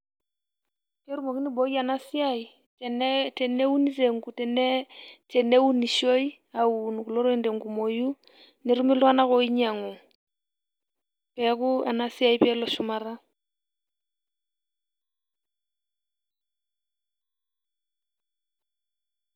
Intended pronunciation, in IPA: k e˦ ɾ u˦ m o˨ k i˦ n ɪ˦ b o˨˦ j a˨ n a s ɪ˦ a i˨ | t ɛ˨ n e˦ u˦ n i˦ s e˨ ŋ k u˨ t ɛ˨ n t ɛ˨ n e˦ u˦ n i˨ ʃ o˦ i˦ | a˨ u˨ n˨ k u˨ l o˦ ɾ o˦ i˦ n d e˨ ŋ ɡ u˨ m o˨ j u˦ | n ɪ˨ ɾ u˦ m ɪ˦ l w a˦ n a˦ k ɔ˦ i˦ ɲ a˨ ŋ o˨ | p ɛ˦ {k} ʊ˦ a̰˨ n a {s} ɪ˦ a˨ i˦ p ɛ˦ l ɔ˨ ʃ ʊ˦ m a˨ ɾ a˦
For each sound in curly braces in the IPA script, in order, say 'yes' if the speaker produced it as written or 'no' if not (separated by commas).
yes, yes